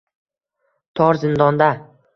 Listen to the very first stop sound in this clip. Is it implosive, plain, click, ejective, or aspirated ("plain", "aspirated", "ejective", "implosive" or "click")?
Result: aspirated